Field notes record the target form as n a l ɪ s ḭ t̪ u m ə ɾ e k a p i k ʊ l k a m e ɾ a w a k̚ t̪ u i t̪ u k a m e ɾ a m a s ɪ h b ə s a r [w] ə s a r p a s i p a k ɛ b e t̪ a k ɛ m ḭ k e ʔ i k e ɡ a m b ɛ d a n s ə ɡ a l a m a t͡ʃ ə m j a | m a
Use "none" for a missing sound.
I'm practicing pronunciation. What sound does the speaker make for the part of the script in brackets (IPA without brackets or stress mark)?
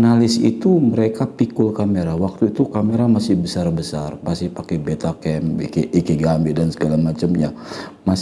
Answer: b